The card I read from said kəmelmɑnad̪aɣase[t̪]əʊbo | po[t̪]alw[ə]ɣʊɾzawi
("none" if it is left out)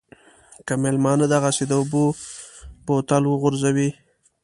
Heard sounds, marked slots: d̪, t̪, ə

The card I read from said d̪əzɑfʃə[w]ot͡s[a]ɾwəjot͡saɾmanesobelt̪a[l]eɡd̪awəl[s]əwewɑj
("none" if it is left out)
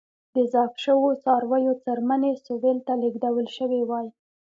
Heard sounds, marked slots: w, ɑ, l, ʃ

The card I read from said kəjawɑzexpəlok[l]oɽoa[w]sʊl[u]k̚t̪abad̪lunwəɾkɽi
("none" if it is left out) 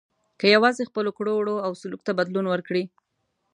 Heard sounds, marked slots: ɽ, w, u

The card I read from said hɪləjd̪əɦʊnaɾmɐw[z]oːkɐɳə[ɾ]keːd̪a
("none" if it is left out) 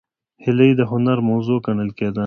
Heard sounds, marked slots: z, l

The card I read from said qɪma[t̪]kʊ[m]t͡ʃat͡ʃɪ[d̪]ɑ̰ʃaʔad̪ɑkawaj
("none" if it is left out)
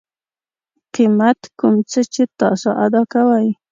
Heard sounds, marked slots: t̪, m, t̪

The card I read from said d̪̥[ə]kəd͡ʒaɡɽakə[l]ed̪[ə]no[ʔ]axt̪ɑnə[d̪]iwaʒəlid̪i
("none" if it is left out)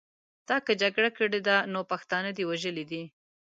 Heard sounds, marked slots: ɑ, ɽ, a, p, d̪

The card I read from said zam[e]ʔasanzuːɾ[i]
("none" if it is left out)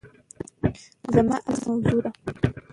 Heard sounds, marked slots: a, a

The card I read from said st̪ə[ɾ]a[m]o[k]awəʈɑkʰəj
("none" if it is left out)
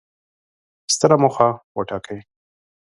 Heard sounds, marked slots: ɾ, m, x

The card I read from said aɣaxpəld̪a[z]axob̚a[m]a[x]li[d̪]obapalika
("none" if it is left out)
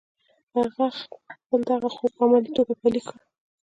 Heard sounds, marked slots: ɣ, m, none, t̪

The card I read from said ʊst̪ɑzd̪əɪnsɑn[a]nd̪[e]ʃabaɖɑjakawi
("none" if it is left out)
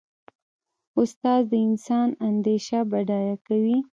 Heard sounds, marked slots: a, e

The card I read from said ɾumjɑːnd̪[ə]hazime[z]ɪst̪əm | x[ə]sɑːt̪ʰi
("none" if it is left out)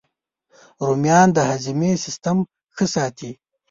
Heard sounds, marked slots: ə, s, ə

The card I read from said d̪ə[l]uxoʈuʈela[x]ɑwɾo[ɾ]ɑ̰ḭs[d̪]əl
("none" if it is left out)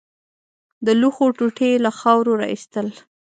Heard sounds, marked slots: l, x, ɾ, t̪

